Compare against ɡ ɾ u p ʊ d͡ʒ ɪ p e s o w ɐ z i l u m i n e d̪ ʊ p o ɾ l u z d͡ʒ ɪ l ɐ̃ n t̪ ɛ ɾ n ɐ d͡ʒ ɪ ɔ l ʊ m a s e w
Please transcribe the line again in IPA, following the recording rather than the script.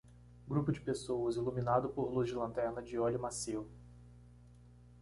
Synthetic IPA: ɡ ɾ u p ʊ d͡ʒ ɪ p e s o w ɐ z i l u m i n a d̪ ʊ p o ɾ l u z d͡ʒ ɪ l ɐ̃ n t̪ ɛ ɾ n ɐ d͡ʒ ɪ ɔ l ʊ m a s e w